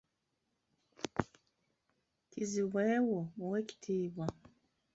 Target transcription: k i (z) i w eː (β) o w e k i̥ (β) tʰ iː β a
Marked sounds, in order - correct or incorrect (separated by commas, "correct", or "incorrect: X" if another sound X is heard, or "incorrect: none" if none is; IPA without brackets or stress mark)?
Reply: correct, incorrect: w, incorrect: none